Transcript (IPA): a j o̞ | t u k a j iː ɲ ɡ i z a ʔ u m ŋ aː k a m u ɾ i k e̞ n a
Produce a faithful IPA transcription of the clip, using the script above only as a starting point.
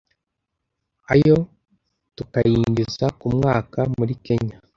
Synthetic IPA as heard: a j o̞ | t u k a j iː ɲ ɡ i z a k u m ŋ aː k a m u ɾ i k e̞ ɲ a